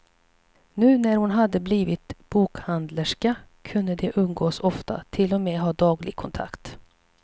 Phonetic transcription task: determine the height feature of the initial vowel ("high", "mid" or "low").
high